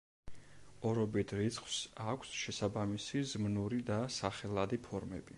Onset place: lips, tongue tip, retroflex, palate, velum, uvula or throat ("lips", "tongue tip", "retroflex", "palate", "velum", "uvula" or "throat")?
tongue tip